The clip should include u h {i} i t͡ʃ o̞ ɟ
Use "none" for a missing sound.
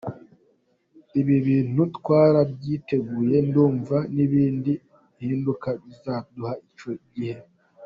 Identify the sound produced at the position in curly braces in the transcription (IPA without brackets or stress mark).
a